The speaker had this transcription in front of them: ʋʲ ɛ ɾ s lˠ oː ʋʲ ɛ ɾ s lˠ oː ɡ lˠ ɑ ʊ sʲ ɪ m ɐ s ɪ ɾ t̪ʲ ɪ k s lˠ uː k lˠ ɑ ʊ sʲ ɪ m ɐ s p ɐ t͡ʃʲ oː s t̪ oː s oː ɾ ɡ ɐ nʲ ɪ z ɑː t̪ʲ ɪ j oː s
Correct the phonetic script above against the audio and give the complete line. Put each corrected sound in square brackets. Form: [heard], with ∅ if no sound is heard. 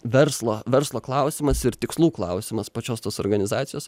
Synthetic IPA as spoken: ʋʲ ɛ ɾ s lˠ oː ʋʲ ɛ ɾ s lˠ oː [k] lˠ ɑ ʊ sʲ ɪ m ɐ s ɪ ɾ t̪ʲ ɪ k s lˠ uː k lˠ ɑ ʊ sʲ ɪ m ɐ s p ɐ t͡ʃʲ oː s t̪ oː s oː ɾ ɡ ɐ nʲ ɪ z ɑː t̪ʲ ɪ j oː s

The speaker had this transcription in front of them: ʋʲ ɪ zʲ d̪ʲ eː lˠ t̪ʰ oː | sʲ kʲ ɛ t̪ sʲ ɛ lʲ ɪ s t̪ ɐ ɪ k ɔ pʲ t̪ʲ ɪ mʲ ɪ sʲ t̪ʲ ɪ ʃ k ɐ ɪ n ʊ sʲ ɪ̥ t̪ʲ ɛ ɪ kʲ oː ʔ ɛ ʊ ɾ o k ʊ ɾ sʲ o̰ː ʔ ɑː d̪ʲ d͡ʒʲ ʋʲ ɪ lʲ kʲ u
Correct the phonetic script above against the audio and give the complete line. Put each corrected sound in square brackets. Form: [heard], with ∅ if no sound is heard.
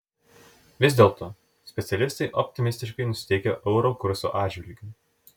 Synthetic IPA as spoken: ʋʲ ɪ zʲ d̪ʲ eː lˠ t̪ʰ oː | sʲ [pʲ] ɛ t̪ sʲ ɛ lʲ ɪ s t̪ ɐ ɪ [ʔ] ɔ pʲ t̪ʲ ɪ mʲ ɪ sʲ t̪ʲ ɪ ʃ k ɐ ɪ n ʊ sʲ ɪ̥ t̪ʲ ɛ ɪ kʲ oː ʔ ɛ ʊ ɾ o k ʊ ɾ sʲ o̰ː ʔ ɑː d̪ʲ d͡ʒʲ ʋʲ ɪ lʲ [ɡʲ] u

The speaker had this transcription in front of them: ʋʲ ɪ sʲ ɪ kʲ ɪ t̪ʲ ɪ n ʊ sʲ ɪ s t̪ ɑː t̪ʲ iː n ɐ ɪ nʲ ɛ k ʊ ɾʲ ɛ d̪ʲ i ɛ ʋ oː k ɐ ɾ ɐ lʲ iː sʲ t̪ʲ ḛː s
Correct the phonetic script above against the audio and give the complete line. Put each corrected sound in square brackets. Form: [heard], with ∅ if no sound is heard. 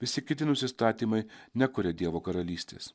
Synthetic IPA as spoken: ʋʲ ɪ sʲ ɪ kʲ ɪ t̪ʲ ɪ n ʊ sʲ ɪ s t̪ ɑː t̪ʲ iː [m] ɐ ɪ nʲ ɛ k ʊ ɾʲ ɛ d̪ʲ i ɛ ʋ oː k ɐ ɾ ɐ lʲ iː sʲ t̪ʲ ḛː s

